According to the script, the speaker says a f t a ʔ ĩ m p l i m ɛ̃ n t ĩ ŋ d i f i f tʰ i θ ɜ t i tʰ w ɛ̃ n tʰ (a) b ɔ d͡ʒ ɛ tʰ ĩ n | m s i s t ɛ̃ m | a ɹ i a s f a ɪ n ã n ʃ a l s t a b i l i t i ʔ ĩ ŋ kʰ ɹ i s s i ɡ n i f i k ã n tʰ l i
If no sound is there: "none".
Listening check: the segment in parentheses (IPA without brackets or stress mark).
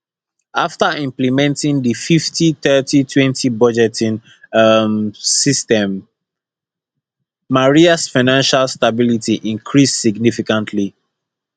i